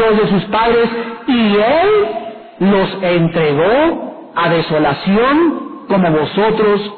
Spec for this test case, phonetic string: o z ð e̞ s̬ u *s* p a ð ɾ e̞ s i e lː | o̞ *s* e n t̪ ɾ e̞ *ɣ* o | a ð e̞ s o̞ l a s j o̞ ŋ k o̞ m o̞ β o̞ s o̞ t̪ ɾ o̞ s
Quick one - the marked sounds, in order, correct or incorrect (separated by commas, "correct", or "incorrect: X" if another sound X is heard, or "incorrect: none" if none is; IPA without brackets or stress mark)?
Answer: correct, correct, correct